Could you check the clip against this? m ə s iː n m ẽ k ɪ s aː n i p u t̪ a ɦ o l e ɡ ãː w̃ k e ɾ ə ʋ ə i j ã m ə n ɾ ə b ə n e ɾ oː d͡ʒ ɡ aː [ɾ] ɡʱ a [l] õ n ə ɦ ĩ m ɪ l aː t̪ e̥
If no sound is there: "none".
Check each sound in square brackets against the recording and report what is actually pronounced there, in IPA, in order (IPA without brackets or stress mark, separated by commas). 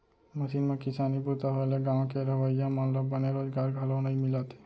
ɾ, l